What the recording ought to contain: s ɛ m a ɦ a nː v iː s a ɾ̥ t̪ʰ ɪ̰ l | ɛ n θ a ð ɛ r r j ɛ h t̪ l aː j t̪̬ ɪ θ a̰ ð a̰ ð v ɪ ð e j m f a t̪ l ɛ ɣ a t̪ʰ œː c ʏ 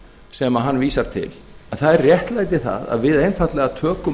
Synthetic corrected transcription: s ɛ m a ɦ a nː v iː s a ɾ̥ t̪ʰ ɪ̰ l | ɛ n θ a ð ɛ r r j ɛ h t̪ l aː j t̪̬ ɪ θ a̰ ð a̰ ð v ɪ ð e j n f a t̪ l ɛ ɣ a t̪ʰ œː k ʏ